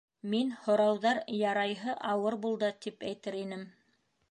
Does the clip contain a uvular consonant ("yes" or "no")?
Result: no